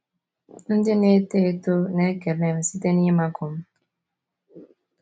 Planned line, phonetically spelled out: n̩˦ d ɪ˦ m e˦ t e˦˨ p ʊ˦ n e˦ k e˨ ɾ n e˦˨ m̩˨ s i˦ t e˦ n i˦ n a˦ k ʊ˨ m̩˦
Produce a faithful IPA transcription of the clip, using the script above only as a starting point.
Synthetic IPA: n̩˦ d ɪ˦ n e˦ t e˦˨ t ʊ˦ n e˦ k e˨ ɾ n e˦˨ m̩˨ s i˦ t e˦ n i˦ m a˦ k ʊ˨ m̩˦